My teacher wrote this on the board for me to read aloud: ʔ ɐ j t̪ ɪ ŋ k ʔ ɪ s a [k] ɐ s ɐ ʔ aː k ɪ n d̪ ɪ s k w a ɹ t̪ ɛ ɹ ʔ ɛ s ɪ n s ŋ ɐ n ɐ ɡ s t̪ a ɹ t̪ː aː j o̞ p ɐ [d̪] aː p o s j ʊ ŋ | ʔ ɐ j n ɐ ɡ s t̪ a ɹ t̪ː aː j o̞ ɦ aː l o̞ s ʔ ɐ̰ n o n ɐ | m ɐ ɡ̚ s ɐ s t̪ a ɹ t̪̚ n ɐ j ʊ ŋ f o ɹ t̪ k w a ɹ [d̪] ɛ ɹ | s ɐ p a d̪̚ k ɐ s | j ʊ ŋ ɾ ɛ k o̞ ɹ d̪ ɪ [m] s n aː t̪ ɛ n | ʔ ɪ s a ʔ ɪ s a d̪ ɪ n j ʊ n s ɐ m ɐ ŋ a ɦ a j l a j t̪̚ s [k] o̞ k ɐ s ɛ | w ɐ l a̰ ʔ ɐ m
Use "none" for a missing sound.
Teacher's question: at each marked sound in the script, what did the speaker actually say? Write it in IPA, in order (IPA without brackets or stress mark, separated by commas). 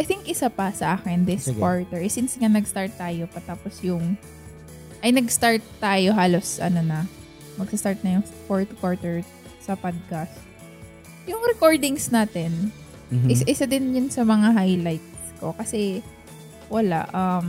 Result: p, t̪, t̪, ŋ, k